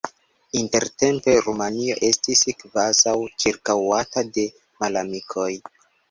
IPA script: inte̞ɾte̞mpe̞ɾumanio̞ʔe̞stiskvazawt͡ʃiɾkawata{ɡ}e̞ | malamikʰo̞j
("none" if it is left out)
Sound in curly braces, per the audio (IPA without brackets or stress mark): d